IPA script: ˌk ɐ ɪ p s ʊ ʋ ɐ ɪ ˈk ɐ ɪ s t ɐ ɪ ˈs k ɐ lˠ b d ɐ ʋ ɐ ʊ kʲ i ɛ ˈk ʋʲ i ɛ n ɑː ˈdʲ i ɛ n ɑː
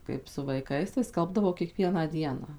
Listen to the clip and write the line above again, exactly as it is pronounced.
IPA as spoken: ˌk ɐ ɪ p s ʊ ʋ ɐ ɪ ˈk ɐ ɪ s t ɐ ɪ ˈs k ɐ lˠ b d ɐ ʋ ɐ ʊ kʲ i ɛ ˈk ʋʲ i ɛ n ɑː ˈdʲ i ɛ n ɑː